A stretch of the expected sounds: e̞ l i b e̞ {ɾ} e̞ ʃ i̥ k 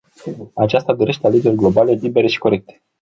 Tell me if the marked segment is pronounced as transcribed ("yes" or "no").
yes